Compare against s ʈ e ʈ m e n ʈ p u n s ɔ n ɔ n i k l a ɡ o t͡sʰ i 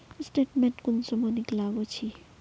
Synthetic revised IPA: s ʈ e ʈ m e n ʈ k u n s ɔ m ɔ n i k l a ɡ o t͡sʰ i